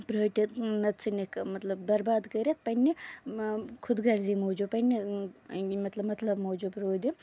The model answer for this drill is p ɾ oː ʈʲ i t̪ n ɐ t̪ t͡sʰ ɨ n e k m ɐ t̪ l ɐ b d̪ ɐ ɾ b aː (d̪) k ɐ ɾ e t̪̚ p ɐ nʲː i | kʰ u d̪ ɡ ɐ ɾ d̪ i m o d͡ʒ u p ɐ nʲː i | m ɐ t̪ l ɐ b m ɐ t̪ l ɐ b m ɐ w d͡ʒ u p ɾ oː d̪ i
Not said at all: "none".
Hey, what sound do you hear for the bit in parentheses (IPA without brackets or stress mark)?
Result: d̪